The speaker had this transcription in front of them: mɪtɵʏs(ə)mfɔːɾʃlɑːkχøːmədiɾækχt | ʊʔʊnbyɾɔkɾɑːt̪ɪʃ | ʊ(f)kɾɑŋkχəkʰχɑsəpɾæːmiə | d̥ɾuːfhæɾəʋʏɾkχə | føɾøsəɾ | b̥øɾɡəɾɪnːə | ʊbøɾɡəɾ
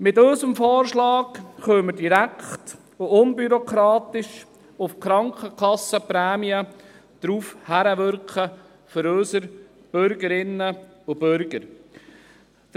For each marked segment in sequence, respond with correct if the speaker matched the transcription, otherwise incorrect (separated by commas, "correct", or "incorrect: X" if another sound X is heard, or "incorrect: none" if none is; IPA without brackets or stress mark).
correct, correct